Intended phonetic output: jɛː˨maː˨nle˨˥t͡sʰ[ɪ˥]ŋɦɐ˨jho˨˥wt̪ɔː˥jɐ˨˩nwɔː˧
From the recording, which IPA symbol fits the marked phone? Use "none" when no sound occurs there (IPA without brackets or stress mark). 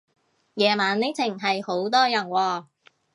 ɪ˨˩